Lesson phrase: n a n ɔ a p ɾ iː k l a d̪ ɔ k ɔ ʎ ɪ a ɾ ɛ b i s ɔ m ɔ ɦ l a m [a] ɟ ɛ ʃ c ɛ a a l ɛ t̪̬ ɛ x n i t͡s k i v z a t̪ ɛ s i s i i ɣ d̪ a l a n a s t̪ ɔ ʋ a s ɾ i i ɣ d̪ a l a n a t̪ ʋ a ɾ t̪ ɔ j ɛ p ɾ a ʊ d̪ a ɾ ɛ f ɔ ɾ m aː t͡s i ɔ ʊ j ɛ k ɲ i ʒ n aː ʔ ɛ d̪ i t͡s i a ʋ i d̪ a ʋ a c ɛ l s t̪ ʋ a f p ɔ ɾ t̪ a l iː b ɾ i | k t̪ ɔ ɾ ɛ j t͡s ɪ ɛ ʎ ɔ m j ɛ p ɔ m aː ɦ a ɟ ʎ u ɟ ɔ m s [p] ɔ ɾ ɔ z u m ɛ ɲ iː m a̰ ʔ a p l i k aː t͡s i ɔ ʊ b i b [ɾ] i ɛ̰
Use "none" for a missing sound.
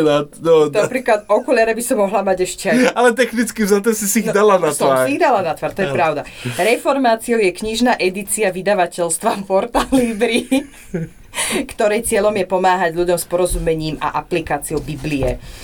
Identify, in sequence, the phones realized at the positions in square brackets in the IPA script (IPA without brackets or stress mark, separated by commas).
a, p, l